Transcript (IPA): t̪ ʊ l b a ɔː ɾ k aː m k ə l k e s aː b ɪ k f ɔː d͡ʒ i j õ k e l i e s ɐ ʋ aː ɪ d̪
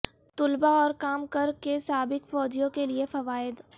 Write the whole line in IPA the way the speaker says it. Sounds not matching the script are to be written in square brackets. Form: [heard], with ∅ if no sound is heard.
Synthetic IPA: t̪ ʊ l b a ɔː ɾ k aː m k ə [ɾ] k e s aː b ɪ k f ɔː d͡ʒ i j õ k e l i e [f] ɐ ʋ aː ɪ d̪